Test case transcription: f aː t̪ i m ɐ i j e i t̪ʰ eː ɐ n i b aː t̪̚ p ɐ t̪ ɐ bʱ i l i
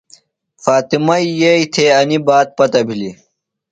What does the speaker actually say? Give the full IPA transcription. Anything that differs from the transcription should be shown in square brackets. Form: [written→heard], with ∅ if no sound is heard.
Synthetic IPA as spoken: f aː t̪ i m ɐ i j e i t̪ʰ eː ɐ n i b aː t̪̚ p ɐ t̪ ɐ bʱ i l i